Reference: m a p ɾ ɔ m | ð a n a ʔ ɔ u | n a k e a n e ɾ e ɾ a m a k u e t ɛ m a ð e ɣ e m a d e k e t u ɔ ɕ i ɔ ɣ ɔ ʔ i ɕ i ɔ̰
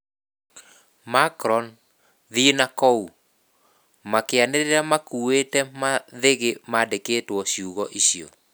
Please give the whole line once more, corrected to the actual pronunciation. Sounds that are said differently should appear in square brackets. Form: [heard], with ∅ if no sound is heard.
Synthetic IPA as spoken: m a [k] ɾ ɔ [n] | ð [i] n a [k] ɔ u | [m] a k e a n e ɾ e ɾ a m a k u e t ɛ m a ð e ɣ e m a d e k e t [w] ɔ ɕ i [u] ɣ ɔ ʔ i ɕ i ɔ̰